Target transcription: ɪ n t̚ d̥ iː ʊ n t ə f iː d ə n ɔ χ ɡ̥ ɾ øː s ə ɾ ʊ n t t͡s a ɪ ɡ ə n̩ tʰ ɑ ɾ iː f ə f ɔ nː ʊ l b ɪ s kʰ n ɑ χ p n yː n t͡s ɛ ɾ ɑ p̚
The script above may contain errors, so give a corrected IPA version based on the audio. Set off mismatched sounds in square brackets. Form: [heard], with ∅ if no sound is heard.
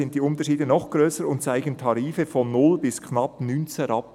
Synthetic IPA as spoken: ɪ n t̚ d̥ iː ʊ n t ə [ʃ] iː d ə n ɔ χ ɡ̥ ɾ øː s ə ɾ ʊ n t t͡s a ɪ ɡ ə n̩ tʰ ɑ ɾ iː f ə f ɔ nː ʊ l b ɪ s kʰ n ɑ [∅] p n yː n t͡s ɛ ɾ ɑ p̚